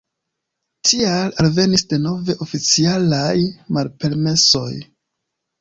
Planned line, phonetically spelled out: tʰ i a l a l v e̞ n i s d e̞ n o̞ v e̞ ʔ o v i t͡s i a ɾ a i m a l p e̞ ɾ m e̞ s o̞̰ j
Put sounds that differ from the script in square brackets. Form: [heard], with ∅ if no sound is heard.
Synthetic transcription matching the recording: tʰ i a l a l v e̞ n i s d e̞ n o̞ v e̞ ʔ o [f] i t͡s i a [l] a [j] m a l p e̞ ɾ m e̞ s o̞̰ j